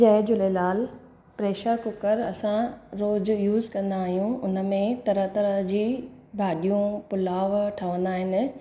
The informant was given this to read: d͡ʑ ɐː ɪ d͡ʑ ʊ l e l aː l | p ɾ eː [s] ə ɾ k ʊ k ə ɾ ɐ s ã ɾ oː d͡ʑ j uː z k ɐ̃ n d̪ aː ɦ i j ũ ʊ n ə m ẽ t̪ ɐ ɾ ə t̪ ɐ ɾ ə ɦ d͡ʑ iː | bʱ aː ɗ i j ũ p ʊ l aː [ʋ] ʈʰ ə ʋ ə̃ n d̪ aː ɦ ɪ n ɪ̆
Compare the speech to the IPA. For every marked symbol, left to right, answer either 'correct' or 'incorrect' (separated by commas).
incorrect, correct